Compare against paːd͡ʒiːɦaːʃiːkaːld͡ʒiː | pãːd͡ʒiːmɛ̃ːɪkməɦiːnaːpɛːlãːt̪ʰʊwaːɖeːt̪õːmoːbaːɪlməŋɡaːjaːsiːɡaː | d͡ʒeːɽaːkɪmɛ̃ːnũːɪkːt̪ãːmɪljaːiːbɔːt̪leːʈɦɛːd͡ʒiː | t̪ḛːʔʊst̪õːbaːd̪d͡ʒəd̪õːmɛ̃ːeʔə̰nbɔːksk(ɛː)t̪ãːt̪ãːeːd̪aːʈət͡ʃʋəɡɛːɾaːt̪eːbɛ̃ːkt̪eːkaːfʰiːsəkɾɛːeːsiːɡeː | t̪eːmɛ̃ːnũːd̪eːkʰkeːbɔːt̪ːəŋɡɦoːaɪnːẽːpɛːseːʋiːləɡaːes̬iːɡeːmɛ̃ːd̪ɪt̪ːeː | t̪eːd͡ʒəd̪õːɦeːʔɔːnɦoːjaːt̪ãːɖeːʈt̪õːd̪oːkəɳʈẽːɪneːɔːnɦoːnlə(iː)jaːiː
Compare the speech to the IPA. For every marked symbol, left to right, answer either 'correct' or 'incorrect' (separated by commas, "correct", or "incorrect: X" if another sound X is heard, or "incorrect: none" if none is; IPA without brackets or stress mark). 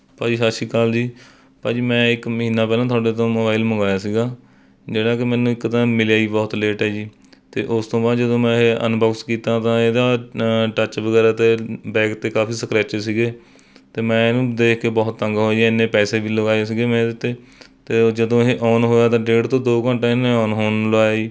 incorrect: iː, incorrect: aː